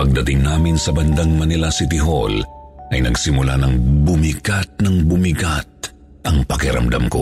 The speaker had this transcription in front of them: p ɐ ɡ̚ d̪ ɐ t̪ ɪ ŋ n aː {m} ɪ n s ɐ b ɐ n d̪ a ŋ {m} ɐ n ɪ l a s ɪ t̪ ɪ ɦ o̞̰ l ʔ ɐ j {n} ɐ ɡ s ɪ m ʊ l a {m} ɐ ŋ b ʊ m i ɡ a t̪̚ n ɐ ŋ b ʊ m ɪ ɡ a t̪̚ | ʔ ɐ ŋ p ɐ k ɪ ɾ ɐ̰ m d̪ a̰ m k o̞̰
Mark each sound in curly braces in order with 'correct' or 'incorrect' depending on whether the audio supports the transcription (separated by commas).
correct, correct, correct, incorrect